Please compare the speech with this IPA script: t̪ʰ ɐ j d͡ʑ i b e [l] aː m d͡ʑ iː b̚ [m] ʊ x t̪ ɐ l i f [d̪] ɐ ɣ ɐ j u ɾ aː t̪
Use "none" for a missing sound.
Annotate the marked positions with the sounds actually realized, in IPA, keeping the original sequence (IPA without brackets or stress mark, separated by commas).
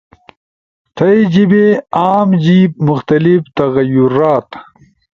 none, m, t̪